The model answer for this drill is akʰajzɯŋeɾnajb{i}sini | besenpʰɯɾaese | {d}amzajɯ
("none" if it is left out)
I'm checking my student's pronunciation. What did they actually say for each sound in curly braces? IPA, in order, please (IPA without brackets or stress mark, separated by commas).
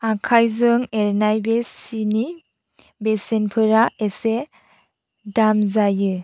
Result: e, d